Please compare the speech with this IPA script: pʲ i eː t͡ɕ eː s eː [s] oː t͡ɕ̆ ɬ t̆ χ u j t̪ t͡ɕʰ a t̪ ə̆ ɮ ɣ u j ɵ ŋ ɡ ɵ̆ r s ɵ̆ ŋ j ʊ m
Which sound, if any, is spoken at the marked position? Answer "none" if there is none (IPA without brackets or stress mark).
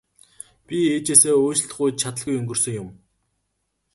none